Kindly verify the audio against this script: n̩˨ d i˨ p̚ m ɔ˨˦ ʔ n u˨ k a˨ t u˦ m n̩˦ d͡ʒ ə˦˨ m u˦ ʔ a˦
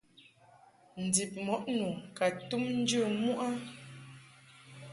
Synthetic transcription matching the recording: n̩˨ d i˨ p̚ m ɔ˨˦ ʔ n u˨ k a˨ t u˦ m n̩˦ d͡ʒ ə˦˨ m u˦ ʔ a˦